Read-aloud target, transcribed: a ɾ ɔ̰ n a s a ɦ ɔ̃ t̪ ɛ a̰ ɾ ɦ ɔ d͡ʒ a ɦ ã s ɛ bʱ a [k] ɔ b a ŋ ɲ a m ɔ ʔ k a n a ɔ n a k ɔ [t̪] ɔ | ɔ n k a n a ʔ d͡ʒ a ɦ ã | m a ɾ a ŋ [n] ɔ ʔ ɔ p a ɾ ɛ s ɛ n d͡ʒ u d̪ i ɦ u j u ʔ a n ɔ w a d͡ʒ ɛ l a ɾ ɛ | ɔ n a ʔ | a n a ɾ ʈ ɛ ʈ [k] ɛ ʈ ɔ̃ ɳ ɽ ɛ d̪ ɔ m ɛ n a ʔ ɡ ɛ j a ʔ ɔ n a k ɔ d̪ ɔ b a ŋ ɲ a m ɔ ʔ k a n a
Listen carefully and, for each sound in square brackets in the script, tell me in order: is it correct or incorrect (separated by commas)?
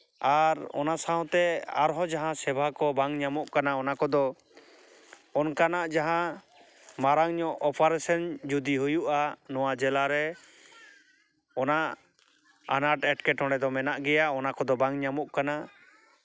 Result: correct, incorrect, incorrect, correct